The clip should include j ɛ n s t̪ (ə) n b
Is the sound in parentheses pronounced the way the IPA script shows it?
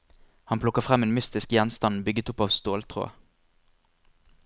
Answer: no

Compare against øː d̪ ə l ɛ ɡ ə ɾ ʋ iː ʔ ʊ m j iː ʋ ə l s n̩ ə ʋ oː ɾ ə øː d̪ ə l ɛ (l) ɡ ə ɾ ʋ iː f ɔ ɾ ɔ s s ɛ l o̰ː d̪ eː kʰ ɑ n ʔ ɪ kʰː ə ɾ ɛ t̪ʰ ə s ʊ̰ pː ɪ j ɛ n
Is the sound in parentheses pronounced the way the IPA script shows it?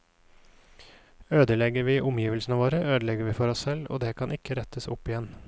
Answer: no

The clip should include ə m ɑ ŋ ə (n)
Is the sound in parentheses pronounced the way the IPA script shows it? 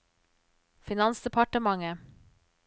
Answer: no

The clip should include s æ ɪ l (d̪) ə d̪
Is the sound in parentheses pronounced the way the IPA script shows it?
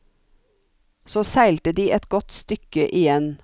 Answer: no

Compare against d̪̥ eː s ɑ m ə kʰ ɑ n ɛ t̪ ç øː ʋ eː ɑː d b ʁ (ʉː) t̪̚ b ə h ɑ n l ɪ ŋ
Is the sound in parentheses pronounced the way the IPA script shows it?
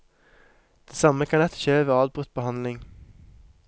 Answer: no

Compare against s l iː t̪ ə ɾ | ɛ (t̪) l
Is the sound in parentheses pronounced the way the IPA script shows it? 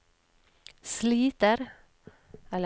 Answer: no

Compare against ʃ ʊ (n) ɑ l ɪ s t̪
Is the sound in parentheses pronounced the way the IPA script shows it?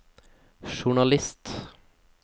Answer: no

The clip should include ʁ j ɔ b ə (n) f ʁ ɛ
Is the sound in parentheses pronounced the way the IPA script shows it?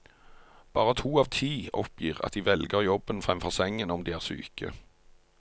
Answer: yes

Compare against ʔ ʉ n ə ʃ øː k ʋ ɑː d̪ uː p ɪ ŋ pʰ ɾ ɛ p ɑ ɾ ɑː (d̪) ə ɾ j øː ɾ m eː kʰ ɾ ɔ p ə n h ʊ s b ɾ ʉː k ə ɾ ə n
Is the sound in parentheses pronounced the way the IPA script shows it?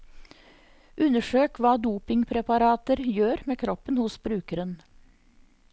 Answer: no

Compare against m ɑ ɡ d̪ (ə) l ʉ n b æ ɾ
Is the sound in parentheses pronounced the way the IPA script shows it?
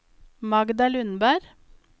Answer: no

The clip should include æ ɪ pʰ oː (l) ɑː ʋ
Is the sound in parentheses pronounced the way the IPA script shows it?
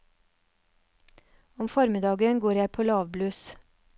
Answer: yes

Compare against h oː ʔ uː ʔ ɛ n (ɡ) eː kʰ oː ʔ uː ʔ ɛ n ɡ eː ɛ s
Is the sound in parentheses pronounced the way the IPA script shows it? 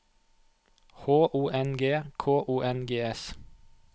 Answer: yes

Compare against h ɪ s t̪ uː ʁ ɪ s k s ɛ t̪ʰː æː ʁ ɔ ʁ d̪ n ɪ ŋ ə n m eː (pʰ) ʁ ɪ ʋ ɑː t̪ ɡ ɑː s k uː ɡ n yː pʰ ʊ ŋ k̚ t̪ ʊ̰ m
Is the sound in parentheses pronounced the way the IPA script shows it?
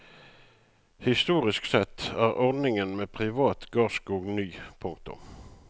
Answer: yes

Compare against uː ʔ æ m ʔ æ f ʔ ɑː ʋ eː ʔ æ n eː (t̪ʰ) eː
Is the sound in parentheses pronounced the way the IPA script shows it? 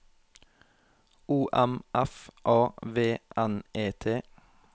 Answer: yes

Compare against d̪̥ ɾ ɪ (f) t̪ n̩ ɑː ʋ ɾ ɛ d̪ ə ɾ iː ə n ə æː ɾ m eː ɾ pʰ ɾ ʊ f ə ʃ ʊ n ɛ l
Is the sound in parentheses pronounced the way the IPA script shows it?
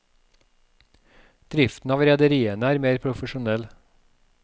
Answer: yes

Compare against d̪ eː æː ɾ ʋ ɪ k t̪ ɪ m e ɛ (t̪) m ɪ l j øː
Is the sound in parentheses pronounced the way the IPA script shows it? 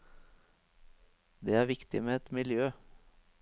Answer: yes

